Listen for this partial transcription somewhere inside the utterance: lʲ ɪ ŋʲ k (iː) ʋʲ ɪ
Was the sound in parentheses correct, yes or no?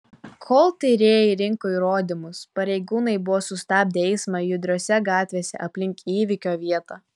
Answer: yes